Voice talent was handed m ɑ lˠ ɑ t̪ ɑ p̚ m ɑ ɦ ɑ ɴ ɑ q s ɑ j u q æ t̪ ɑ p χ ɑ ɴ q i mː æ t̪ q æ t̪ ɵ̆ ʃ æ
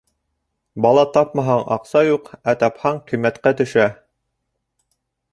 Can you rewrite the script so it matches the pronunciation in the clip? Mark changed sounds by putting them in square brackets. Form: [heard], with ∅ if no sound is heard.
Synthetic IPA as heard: [b] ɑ lˠ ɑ t̪ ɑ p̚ m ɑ ɦ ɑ ɴ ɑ q s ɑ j u q æ t̪ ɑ p [h] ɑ ɴ q i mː æ t̪ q æ t̪ ɵ̆ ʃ æ